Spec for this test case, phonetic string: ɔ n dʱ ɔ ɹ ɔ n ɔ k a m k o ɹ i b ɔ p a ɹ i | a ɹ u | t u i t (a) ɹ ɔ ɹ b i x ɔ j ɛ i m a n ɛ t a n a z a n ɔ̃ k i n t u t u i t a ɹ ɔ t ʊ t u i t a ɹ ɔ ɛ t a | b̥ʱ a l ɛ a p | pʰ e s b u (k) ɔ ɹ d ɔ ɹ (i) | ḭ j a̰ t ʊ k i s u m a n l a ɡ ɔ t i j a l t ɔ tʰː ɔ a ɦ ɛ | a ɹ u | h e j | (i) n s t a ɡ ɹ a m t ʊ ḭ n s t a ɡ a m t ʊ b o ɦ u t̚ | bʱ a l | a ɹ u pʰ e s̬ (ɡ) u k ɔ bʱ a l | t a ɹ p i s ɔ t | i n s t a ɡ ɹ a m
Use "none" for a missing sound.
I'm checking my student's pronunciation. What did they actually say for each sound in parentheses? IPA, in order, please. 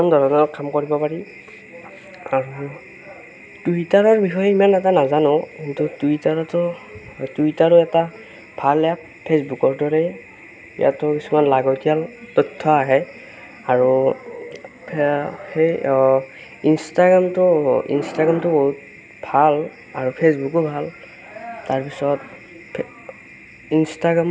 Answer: a, k, ɛ, i, b

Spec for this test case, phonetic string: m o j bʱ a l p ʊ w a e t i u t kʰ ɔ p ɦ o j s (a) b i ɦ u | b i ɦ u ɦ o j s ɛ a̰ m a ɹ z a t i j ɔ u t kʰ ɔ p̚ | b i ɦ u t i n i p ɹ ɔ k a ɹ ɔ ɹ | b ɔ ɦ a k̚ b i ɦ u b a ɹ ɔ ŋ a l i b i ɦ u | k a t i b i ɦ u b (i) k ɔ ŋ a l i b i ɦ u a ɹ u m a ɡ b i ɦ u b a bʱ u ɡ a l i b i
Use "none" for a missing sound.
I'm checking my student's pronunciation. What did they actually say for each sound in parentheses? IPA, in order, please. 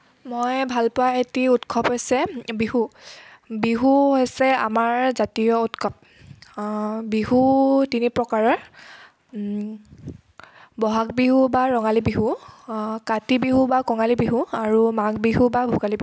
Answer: ɛ, a

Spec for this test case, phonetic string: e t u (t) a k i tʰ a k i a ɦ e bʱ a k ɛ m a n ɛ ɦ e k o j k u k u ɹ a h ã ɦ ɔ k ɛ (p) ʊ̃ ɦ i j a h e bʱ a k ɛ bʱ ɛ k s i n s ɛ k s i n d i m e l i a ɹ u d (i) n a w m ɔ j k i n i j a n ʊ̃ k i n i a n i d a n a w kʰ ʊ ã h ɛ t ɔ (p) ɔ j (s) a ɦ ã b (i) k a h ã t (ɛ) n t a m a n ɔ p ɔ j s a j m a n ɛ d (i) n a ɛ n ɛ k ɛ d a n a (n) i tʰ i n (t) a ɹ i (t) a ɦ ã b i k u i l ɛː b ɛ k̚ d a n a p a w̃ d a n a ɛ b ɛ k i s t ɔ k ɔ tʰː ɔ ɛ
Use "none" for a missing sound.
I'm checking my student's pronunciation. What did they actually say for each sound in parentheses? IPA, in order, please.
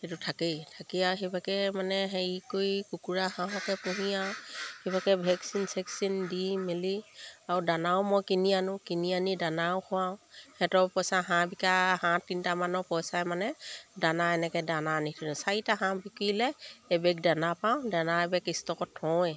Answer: tʰ, p, a, p, s, i, i, a, n, s, t

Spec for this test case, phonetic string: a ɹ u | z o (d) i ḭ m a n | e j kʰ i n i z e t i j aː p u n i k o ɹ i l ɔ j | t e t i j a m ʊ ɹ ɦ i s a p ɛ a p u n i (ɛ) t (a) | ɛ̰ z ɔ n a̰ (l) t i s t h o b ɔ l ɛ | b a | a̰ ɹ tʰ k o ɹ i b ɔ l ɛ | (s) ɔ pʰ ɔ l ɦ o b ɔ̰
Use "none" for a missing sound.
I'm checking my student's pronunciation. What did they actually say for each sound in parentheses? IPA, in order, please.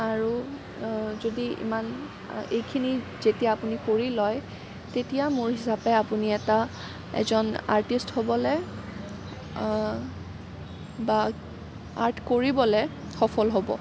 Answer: d, ɛ, a, ɹ, x

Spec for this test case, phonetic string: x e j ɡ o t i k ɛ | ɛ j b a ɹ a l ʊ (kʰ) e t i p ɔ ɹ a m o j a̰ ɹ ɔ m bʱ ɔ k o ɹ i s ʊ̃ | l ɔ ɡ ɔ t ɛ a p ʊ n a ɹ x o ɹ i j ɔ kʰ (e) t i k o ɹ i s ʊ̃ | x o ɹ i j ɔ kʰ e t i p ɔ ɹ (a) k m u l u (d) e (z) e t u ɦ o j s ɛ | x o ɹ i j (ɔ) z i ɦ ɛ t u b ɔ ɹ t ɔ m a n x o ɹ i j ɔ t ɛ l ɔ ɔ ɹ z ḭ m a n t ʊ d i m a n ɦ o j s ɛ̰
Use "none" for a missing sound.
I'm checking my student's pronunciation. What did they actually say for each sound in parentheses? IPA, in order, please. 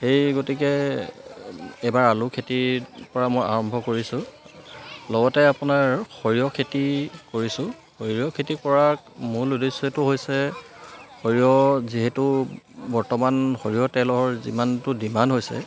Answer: kʰ, e, a, d, s, ɔ

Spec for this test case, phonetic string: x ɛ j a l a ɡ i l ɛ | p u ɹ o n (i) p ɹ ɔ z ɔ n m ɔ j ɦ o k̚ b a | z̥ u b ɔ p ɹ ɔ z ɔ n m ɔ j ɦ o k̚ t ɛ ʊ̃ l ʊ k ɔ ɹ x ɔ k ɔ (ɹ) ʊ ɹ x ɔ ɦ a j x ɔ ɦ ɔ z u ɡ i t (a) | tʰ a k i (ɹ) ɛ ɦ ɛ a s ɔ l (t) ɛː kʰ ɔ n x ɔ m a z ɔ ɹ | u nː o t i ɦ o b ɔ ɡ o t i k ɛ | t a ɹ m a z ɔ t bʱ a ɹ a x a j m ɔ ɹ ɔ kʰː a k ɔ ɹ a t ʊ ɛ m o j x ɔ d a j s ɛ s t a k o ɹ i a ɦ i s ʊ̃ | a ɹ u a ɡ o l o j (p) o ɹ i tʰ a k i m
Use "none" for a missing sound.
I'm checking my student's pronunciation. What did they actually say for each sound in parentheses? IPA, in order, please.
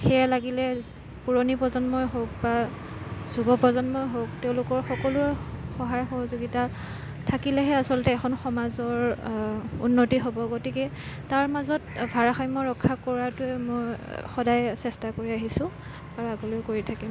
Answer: i, l, a, l, t, k

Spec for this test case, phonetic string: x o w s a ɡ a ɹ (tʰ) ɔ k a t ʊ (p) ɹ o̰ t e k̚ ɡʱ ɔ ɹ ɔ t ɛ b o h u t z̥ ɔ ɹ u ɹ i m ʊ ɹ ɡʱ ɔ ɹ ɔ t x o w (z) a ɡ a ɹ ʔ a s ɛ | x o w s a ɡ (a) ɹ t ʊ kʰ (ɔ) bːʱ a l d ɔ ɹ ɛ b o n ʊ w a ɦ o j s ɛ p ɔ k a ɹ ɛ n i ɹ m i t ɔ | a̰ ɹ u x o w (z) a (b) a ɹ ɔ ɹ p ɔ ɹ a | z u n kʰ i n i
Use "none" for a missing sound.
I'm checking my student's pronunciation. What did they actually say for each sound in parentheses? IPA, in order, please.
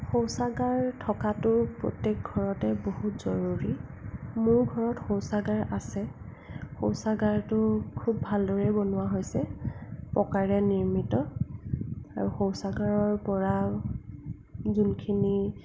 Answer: tʰ, p, s, a, u, s, ɡ

